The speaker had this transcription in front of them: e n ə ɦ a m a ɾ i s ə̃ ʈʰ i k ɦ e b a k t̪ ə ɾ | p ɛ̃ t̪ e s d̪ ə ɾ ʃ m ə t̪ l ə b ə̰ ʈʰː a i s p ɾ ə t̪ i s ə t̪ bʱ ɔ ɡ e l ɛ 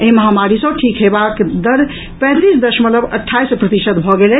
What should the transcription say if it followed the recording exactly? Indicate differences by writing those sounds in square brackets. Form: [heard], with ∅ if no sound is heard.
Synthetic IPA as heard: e [m] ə ɦ a m a ɾ i s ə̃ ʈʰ i k ɦ e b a k [d̪] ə ɾ | p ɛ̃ t̪ [i] s d̪ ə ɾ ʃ m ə t̪ l ə b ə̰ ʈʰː a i s p ɾ ə t̪ i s ə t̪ bʱ ɔ ɡ e l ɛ